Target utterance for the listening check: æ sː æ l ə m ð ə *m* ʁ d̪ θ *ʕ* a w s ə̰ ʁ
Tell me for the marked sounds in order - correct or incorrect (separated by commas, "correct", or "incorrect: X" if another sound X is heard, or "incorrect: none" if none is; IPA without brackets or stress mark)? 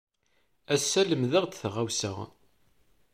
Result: incorrect: none, incorrect: ʁ